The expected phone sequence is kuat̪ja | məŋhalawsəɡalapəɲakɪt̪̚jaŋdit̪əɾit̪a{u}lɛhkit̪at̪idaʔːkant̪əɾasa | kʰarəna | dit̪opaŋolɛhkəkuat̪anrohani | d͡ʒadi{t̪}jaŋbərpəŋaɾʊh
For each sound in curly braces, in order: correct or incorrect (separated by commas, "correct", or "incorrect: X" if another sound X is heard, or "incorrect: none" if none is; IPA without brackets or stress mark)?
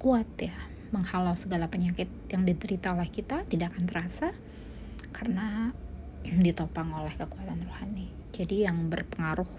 incorrect: o, incorrect: none